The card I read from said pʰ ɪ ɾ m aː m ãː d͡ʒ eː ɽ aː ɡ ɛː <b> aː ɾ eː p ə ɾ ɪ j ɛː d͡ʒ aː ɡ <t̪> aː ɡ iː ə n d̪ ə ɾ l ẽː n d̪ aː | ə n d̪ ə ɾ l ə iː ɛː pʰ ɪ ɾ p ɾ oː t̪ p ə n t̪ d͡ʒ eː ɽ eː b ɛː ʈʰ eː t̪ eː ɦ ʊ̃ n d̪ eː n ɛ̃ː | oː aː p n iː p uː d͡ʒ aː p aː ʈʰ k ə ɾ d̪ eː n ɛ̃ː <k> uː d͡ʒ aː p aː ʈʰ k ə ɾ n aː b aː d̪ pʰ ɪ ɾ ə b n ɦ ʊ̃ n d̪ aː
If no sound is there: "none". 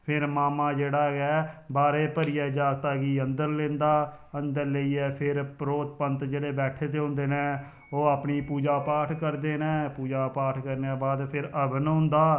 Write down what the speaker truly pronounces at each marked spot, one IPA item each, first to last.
b, t̪, p

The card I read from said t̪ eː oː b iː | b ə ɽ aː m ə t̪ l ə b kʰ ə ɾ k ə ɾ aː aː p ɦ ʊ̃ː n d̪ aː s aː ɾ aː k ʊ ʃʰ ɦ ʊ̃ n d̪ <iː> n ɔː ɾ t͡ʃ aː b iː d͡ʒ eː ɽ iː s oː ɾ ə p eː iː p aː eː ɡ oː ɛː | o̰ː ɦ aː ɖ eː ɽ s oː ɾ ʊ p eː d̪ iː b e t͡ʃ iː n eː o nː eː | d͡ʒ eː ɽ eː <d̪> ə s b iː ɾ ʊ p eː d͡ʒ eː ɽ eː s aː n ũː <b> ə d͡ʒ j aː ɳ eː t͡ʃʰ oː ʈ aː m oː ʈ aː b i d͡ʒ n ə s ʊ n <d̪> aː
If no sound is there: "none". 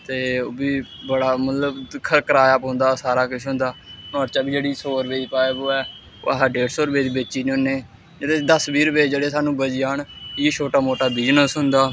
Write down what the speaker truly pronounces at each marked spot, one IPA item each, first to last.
aː, d̪, b, d̪

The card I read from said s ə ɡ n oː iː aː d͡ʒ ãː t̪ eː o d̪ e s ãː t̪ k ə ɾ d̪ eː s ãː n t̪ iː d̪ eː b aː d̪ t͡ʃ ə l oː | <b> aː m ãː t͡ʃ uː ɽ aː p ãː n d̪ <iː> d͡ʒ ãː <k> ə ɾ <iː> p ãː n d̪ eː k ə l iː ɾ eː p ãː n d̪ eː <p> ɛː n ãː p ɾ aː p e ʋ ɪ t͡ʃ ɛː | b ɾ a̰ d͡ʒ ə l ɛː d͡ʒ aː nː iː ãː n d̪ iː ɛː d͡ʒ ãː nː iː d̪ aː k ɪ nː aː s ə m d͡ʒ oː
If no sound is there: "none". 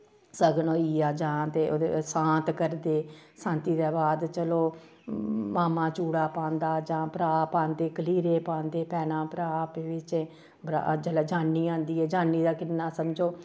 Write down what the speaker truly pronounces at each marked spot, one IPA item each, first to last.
m, aː, p, aː, p

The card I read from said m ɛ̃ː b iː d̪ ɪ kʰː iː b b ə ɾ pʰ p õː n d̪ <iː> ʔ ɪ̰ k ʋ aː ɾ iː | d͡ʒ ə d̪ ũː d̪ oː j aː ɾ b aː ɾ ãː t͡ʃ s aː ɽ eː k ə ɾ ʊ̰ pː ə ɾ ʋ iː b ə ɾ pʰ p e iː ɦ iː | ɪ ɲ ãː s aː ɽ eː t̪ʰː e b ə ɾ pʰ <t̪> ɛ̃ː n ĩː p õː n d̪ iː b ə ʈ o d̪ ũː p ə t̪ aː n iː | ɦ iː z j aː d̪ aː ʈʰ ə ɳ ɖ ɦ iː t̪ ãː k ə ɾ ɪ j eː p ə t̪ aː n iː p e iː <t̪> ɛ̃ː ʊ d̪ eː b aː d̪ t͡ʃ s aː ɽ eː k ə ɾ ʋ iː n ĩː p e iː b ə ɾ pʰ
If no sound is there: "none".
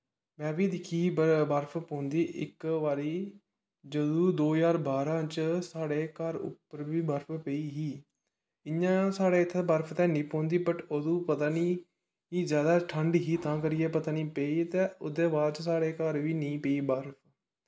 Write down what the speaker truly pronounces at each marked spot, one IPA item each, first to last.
iː, t̪, t̪

